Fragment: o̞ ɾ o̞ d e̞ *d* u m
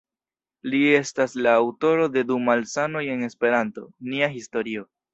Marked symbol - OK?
yes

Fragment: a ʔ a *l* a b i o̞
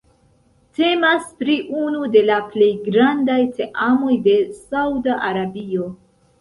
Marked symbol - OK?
no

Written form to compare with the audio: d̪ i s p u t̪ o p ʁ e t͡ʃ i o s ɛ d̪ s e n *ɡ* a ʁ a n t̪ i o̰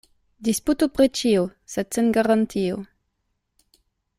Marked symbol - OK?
yes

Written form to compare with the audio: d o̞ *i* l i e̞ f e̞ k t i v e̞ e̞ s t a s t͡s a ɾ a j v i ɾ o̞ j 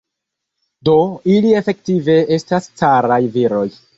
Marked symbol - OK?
yes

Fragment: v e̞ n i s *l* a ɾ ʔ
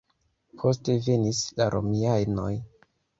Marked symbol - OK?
yes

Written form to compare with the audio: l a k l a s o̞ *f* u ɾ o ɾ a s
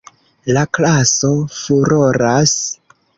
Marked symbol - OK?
yes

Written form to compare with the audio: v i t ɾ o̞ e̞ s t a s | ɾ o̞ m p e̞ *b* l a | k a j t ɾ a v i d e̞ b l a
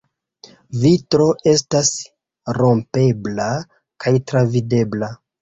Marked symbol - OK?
yes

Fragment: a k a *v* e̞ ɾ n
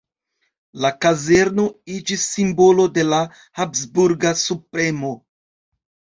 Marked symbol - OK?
no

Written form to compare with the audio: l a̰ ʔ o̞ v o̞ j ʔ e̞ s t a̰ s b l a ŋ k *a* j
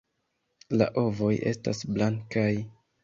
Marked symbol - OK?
yes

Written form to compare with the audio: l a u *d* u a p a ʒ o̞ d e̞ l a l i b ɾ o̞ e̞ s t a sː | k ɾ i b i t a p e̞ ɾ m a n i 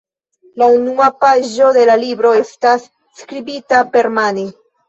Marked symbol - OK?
no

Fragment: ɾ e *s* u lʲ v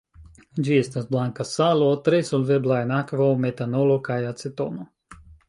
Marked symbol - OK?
yes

